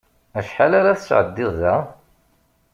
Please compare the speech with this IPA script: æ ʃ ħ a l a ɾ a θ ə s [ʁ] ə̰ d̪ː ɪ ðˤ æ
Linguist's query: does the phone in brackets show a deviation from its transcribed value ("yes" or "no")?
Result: yes